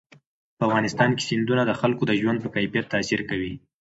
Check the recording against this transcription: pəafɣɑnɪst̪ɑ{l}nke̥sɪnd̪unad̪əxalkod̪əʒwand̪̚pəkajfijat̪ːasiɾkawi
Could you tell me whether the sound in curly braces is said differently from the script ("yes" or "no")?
yes